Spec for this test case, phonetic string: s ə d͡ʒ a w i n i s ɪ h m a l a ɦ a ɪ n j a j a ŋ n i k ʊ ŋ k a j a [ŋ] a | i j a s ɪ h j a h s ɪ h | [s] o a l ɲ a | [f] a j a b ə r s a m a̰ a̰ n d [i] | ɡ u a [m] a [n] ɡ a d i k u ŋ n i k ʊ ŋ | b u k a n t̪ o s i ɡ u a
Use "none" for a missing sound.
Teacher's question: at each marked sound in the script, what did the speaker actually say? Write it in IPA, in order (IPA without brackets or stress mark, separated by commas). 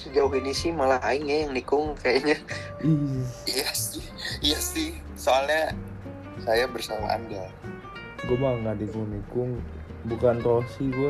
ɲ, s, s, a, m, ŋ